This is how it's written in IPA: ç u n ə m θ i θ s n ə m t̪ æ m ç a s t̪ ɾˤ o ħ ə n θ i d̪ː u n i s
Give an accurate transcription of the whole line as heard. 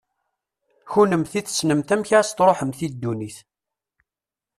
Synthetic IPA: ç u n ə m θ i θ s n ə m t̪ æ m ç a s t̪ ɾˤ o ħ ə m θ i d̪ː u n i θ